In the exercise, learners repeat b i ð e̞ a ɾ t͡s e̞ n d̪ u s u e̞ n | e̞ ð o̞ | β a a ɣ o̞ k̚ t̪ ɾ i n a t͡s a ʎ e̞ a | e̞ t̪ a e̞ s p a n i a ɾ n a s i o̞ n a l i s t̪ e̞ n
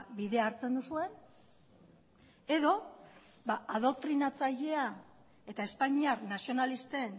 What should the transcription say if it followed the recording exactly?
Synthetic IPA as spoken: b i ð e̞ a ɾ t͡s e̞ n d̪ u s u e̞ n | e̞ ð o̞ | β a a ð o̞ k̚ t̪ ɾ i n a t͡s a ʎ e̞ a | e̞ t̪ a e̞ s p a ɲ i a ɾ n a s i o̞ n a l i s t̪ e̞ n